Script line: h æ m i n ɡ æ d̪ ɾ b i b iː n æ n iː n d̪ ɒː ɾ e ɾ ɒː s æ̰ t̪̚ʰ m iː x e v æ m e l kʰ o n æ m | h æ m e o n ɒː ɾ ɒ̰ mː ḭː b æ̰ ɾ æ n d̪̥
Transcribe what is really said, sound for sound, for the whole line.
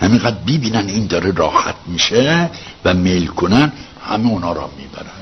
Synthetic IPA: h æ m i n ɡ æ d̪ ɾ b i b iː n æ n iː n d̪ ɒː ɾ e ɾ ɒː h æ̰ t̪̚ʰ m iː ʃ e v æ m e l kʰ o n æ n | h æ m e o n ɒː ɾ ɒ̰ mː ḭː b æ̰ ɾ æ n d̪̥